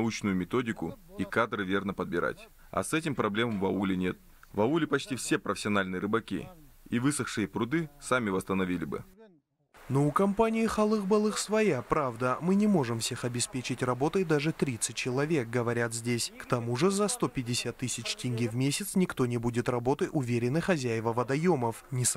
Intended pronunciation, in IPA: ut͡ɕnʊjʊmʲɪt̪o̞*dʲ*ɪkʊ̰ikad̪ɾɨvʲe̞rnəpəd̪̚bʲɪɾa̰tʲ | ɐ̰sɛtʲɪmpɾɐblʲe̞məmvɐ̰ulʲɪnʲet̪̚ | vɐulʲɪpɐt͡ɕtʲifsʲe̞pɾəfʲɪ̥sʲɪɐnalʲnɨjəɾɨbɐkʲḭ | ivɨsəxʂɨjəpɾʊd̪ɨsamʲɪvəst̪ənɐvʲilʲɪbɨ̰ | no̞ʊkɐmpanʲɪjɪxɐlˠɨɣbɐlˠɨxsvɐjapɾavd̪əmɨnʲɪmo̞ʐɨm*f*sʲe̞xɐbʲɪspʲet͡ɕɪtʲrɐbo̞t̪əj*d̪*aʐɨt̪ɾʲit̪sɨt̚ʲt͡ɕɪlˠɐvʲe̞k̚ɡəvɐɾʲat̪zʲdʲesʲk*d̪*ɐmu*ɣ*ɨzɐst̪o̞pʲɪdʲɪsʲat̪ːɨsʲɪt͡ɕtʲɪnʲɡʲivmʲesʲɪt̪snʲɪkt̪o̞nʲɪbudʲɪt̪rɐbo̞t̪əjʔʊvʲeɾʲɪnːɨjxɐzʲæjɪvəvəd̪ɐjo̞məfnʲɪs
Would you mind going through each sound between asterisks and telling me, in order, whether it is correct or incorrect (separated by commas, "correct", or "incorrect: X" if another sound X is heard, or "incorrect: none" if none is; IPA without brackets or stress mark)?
correct, correct, correct, incorrect: t̪, incorrect: ʐ